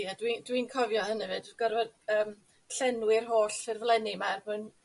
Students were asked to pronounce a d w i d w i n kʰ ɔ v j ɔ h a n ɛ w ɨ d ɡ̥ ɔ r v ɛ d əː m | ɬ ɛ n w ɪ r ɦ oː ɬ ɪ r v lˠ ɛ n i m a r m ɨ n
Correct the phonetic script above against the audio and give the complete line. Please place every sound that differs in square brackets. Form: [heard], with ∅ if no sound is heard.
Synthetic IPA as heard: a d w i d w i n kʰ ɔ v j ɔ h [ə] n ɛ [v] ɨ d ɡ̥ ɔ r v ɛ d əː m | ɬ ɛ n w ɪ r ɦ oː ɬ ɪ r v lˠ ɛ n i m a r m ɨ n